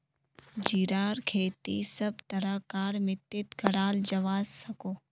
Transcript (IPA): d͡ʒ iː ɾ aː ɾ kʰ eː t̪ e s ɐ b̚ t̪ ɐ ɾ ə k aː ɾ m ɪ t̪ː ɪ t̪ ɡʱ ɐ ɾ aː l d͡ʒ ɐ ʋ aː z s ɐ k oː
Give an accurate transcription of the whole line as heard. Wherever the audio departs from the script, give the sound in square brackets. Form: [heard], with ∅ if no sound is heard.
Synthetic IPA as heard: d͡ʒ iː ɾ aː ɾ kʰ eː t̪ [i] s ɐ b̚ t̪ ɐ ɾ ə k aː ɾ m ɪ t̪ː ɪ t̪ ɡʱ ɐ ɾ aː l d͡ʒ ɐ ʋ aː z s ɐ k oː

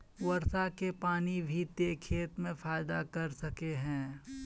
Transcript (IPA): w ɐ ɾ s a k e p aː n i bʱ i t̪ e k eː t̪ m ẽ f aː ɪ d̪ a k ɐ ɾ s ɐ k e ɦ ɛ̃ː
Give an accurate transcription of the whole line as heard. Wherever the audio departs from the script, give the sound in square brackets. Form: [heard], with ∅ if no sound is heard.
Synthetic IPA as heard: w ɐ ɾ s a k e p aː n i bʱ i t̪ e [kʰ] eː t̪ m ẽ f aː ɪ d̪ a k ɐ ɾ s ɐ k e ɦ ɛ̃ː

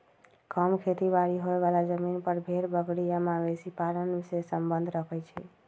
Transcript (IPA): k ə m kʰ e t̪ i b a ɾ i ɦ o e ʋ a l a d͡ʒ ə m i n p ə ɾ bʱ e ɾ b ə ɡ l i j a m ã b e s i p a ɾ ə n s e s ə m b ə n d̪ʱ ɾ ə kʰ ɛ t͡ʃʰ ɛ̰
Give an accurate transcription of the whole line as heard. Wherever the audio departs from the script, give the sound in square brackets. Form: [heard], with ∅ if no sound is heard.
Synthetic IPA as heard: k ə m kʰ e t̪ i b a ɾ i ɦ o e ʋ a l a d͡ʒ ə m i n p ə ɾ bʱ e ɾ b ə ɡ [ɽ] i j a m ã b e s i p a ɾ ə n s e s ə m b ə n d̪ʱ ɾ ə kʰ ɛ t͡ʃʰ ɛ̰

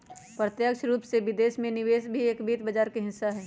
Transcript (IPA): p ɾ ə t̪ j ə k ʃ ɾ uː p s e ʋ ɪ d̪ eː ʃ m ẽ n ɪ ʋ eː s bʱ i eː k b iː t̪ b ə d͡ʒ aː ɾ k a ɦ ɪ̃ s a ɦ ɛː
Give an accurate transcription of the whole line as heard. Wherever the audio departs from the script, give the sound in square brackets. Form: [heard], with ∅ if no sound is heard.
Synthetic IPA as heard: p ɾ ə t̪ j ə k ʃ ɾ uː p s e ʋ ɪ d̪ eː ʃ m ẽ n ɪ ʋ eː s bʱ i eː k b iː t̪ b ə d͡ʒ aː ɾ k [e] ɦ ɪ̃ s a ɦ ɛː

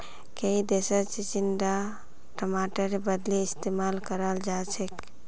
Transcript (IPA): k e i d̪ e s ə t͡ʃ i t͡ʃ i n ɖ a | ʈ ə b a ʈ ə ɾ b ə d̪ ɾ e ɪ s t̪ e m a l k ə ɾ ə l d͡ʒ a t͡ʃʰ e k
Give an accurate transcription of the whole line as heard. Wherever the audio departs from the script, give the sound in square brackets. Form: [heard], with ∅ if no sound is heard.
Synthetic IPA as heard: k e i d̪ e s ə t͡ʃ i t͡ʃ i n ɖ a | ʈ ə [m] a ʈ ə ɾ b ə d̪ [l] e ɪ s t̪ e m a l k ə ɾ ə l d͡ʒ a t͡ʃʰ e k

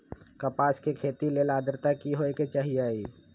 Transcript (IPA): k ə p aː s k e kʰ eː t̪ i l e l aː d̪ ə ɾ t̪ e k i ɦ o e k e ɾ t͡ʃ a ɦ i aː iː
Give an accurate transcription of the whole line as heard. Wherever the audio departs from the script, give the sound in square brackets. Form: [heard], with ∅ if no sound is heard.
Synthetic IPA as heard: k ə p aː s k e kʰ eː t̪ i l e l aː d̪ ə ɾ t̪ [a] k i ɦ o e k e [∅] t͡ʃ a ɦ i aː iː

